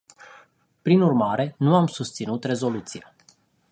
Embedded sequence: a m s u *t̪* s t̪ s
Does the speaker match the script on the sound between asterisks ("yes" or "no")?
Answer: no